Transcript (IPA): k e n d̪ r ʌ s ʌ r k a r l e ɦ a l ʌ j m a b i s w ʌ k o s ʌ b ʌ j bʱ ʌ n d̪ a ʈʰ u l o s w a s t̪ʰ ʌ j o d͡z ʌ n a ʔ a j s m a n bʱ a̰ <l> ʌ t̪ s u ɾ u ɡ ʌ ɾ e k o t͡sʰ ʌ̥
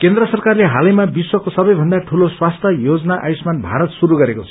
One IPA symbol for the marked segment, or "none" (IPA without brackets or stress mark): ɾ